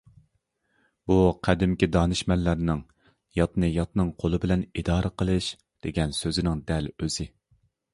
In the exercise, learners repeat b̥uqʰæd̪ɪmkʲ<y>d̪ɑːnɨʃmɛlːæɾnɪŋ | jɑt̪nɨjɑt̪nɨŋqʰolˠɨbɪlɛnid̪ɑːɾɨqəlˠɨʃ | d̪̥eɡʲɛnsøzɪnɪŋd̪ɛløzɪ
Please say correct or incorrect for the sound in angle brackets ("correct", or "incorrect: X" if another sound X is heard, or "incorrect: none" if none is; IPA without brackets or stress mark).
incorrect: i